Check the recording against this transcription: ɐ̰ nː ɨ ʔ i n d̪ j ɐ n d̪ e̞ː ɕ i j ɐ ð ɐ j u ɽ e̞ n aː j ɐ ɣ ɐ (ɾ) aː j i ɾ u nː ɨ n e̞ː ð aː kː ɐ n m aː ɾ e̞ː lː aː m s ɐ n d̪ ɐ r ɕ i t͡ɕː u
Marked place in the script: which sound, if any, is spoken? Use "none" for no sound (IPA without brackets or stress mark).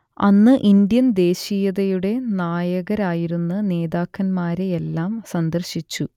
ɾ